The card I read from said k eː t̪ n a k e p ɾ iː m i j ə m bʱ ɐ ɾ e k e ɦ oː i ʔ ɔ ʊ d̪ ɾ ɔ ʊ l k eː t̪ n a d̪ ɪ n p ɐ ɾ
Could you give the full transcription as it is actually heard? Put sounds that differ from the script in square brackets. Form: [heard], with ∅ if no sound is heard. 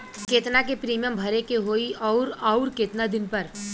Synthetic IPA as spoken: k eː t̪ n a k e p ɾ iː m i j ə m bʱ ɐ ɾ e k e ɦ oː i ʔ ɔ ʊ [∅] ɾ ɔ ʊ [ɾ] k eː t̪ n a d̪ ɪ n p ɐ ɾ